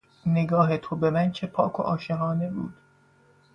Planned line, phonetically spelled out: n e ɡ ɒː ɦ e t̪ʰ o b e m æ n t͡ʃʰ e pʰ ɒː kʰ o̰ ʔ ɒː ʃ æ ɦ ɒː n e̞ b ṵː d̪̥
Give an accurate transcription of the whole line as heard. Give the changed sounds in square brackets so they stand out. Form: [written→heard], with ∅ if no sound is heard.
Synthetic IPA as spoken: n e ɡ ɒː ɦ e t̪ʰ o b e m æ n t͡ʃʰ e pʰ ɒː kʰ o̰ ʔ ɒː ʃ [æ→e] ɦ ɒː n e̞ b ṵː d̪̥